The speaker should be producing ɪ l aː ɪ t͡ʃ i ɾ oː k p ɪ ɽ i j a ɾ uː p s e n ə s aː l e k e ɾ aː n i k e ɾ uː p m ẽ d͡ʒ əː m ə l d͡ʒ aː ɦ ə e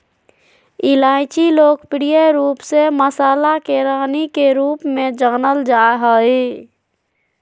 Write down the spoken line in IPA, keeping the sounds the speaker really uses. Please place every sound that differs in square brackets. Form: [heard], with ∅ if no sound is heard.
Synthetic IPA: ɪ l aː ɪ t͡ʃ i [l] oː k p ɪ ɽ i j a ɾ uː p s e [m] ə s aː l [a] k e ɾ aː n i k e ɾ uː p m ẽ d͡ʒ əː [n] ə l d͡ʒ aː ɦ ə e